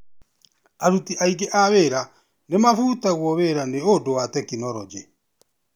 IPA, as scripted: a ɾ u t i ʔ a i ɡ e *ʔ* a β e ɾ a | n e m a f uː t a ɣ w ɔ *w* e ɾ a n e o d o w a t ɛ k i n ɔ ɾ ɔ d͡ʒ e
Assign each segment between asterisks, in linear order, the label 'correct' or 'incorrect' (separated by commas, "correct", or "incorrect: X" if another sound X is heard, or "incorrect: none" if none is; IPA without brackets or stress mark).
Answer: correct, incorrect: β